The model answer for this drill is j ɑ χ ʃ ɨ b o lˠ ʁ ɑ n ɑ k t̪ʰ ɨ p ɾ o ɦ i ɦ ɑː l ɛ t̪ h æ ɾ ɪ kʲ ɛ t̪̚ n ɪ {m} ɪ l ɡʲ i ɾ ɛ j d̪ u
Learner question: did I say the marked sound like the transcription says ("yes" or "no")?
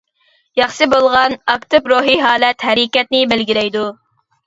no